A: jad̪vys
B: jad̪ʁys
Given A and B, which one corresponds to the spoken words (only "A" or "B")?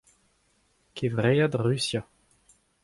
B